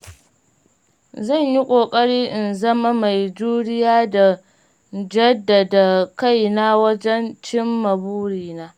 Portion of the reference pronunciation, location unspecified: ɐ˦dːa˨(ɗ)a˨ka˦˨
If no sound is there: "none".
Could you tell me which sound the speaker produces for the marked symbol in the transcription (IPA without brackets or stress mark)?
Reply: d